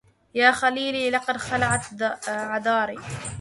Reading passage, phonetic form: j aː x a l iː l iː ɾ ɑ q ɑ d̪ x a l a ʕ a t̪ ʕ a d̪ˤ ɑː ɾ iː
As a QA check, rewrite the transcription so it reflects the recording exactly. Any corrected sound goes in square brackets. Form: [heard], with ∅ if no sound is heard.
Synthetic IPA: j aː x a l iː l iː [l] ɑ q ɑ d̪ x a l a ʕ a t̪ ʕ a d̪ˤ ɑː ɾ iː